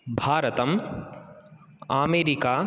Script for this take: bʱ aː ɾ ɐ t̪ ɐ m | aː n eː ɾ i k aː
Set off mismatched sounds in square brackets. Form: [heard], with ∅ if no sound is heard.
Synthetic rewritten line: bʱ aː ɾ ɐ t̪ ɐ m | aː [m] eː ɾ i k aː